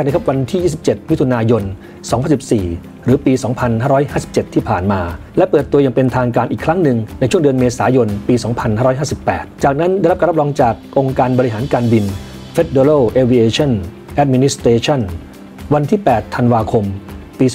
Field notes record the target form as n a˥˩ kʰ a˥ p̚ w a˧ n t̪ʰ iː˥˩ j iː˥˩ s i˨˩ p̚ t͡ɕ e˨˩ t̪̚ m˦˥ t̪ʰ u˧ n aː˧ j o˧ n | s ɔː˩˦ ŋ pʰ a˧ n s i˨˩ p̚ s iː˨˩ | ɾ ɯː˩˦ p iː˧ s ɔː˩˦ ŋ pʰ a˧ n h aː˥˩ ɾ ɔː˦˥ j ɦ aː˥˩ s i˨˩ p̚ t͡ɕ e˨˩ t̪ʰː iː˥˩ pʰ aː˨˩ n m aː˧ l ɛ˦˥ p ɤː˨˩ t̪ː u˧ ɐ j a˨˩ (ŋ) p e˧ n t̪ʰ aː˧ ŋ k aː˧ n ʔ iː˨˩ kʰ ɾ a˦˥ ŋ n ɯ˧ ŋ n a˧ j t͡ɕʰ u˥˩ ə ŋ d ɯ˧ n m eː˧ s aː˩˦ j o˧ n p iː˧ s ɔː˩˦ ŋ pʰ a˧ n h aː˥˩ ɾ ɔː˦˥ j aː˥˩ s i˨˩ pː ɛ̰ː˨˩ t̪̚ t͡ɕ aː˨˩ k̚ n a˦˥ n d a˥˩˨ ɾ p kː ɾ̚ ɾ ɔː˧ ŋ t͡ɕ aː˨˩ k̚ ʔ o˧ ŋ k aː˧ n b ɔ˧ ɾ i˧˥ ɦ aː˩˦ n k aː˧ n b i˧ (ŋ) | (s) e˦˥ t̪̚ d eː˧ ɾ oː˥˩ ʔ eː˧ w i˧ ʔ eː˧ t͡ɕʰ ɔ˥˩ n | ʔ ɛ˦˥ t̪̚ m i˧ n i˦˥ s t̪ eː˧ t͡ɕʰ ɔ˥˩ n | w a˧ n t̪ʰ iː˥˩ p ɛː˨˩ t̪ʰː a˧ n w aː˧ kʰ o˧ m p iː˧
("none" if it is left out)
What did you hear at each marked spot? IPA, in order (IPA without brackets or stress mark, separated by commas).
ŋ, n, f